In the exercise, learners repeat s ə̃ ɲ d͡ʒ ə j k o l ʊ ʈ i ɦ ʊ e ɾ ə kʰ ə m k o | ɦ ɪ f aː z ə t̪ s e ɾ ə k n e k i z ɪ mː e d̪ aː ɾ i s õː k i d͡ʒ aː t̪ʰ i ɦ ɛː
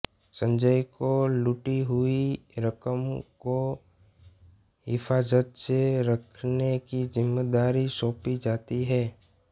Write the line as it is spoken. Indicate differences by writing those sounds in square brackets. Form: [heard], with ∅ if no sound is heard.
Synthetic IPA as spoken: s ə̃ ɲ d͡ʒ ə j k o l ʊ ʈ i ɦ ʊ [i] ɾ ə [k] ə m k o | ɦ ɪ f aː z ə t̪ s e ɾ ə [kʰ] n e k i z ɪ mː e d̪ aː ɾ i s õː [p] i d͡ʒ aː [t̪] i ɦ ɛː